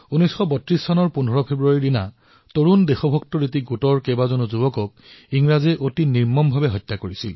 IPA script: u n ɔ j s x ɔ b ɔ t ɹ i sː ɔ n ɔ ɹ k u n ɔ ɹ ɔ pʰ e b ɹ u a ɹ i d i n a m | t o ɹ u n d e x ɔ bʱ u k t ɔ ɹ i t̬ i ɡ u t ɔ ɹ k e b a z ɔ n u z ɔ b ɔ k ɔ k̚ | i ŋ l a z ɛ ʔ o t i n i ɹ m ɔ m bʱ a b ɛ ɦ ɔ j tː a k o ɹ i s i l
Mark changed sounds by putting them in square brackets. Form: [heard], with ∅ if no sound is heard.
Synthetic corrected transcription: u n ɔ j s x ɔ b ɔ t ɹ i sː ɔ n ɔ ɹ [p] u n ɔ ɹ ɔ pʰ e b ɹ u a ɹ i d i n a [∅] | t o ɹ u n d e x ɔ bʱ [ɔ] k t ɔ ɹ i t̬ i ɡ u t ɔ ɹ k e b a z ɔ n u z [u] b ɔ k ɔ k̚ | i ŋ [ɹ] a z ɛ ʔ o t i n i ɹ m ɔ m bʱ a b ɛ ɦ ɔ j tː a k o ɹ i s i l